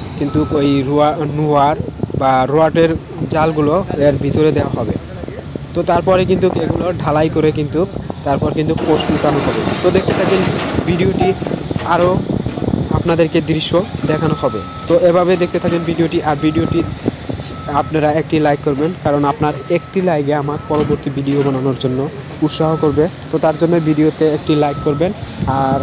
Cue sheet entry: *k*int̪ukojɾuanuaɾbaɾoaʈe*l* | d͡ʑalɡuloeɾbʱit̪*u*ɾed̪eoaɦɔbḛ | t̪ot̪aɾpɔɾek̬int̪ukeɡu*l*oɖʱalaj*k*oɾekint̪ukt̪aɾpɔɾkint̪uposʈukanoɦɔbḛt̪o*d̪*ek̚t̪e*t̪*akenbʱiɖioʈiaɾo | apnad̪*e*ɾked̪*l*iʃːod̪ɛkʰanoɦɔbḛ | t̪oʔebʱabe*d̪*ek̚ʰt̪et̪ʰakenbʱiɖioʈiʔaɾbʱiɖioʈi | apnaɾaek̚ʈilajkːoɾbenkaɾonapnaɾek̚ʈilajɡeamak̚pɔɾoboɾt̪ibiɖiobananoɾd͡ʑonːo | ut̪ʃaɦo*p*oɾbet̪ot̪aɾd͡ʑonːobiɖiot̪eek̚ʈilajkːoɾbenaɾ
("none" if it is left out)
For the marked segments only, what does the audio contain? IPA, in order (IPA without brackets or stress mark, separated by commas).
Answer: k, ɾ, o, l, k, d̪, t̪ʰ, e, ɾ, d̪, k